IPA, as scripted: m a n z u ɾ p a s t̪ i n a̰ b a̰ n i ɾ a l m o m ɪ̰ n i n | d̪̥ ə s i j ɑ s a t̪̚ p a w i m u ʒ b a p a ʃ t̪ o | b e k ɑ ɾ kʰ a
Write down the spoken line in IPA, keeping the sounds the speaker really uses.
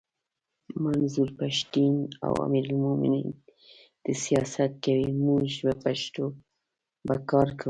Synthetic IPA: m a n z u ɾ p a ʃ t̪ i n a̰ w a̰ m i ɾ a l m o m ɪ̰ n i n | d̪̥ ə s i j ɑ s a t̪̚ k a w i m u ʒ b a p a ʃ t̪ o | b a k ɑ ɾ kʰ a